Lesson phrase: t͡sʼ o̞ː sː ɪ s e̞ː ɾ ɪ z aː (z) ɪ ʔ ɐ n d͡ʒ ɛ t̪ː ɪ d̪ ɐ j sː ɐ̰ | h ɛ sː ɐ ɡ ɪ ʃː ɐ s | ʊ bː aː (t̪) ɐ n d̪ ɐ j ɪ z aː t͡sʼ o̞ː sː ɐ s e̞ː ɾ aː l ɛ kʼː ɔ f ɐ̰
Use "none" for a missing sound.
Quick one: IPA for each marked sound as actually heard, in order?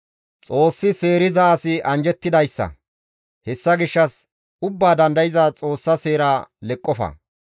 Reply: s, d̪

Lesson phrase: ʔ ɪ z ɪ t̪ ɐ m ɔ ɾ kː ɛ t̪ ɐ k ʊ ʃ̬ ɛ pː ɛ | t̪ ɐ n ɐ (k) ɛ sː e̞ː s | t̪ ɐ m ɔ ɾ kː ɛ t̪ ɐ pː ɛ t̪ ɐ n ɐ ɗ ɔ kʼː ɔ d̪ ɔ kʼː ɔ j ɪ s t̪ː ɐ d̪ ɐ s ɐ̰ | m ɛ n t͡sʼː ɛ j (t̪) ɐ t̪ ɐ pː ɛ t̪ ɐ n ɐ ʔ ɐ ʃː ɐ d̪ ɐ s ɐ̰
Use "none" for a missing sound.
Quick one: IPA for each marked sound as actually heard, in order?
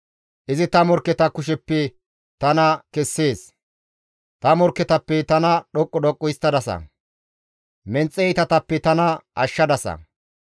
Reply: k, t̪

